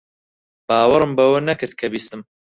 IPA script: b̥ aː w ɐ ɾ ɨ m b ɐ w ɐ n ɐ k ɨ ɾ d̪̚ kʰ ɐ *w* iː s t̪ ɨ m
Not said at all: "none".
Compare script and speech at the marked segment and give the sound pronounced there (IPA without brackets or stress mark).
b